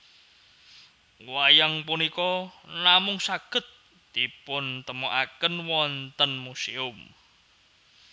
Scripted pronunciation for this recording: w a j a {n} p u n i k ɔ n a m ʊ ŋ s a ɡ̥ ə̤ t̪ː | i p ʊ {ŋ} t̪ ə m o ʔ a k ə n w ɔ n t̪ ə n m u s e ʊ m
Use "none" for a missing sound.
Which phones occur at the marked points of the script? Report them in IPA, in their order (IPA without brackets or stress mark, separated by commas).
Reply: ŋ, n